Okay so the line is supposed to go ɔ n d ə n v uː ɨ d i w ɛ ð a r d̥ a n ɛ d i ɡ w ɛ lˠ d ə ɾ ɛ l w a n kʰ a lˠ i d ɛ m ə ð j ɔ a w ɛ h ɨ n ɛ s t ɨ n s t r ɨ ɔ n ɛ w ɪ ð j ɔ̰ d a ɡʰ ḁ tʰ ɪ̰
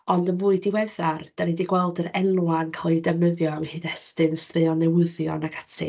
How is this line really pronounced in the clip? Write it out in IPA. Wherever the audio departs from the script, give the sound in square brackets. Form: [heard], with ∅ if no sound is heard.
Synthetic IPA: ɔ n d ə n v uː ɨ d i w ɛ ð a r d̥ a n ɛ d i ɡ w ɛ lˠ d ə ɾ ɛ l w a n kʰ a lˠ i d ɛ m ə ð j ɔ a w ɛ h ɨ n ɛ s t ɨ n s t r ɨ ɔ n ɛ w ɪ ð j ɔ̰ [n] a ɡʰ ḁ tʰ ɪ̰